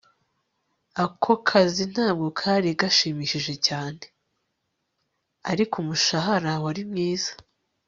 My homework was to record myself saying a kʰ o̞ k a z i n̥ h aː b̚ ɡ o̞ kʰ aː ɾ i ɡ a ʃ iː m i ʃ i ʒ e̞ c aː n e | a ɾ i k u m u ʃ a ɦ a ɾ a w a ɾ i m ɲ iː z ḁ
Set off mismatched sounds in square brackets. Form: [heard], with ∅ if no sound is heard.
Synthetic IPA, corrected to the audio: a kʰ o̞ [kʰ] a z i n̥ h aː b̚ ɡ o̞ kʰ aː ɾ i ɡ a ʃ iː m i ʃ i ʒ e̞ c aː n e | a ɾ i k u m u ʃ a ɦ a ɾ a w a ɾ i m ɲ iː z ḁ